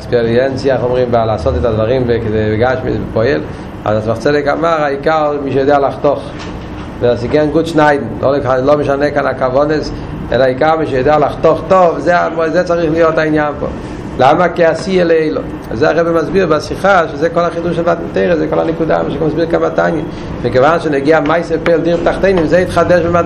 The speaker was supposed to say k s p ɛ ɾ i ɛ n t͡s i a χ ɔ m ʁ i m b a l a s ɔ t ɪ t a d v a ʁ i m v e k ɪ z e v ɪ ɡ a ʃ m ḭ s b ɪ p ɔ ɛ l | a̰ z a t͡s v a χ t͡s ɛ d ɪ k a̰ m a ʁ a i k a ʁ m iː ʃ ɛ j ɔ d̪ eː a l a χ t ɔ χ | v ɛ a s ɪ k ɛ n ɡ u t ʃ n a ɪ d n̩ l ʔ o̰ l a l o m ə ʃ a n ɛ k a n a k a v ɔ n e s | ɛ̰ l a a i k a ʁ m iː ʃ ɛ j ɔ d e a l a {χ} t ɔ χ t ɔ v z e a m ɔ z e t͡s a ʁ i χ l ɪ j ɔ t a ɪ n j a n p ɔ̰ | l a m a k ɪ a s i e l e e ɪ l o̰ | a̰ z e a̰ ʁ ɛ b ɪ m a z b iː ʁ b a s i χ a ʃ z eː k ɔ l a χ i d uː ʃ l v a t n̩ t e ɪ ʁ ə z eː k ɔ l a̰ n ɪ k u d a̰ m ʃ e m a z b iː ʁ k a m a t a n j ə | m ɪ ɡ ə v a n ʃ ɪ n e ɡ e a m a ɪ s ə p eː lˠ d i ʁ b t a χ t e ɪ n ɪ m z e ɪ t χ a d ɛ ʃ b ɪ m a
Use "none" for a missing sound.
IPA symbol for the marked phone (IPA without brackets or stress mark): χ